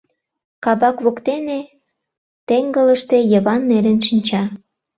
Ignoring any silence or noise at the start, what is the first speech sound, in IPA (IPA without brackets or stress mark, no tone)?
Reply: k